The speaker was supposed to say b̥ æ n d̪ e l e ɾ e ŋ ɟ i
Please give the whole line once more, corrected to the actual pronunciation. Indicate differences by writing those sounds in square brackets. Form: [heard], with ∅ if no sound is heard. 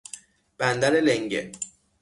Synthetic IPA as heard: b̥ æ n d̪ [æ] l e [l] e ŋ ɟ [e]